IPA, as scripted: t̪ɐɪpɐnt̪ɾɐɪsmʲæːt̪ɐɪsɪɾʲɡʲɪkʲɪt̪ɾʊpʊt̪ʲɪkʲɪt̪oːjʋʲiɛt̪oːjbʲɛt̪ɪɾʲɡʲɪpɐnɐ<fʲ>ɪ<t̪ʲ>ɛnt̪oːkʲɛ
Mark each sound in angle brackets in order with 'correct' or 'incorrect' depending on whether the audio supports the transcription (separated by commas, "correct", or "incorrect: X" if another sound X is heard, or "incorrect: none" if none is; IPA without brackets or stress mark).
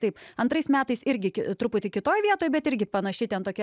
incorrect: ʃʲ, correct